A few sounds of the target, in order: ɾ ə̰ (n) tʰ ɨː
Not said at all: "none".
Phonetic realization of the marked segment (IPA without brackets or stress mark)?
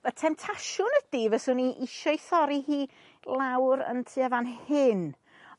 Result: n